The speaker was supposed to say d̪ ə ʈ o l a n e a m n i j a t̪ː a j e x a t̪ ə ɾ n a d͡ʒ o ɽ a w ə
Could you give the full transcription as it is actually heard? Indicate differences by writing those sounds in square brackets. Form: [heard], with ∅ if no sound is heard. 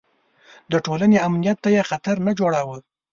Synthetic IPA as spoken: d̪ ə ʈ o l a n e a m n i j a t̪ː a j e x a t̪ [a] ɾ n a d͡ʒ o ɽ a w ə